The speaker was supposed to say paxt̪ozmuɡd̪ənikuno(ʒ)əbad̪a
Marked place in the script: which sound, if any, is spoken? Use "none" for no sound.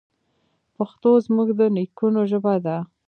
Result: ʒ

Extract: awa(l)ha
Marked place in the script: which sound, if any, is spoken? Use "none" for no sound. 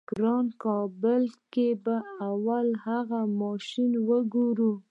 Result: l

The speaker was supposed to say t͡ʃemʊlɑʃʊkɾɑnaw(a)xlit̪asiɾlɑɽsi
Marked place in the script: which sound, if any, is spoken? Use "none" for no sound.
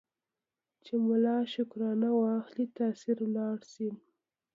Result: ɑ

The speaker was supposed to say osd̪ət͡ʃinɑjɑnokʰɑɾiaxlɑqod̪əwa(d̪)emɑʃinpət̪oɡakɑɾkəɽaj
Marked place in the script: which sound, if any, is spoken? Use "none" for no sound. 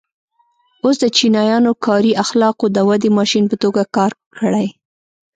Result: d̪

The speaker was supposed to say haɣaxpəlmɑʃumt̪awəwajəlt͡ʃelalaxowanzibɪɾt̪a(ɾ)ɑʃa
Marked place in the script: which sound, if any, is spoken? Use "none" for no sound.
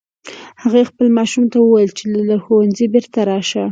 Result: ɾ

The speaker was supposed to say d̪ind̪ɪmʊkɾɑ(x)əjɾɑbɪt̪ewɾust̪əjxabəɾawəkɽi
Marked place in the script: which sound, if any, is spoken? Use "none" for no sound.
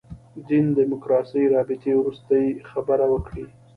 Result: s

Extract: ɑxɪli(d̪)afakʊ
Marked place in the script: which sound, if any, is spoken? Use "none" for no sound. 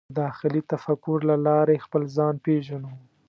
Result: t̪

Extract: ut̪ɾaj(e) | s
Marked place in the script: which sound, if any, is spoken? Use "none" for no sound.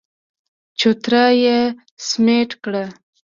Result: e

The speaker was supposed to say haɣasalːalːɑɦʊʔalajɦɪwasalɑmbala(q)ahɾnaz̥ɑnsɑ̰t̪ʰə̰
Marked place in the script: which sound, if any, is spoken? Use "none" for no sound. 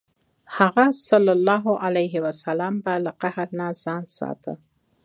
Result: q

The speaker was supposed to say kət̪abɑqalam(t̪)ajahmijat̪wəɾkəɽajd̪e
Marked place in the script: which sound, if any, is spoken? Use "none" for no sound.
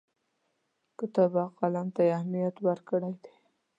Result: t̪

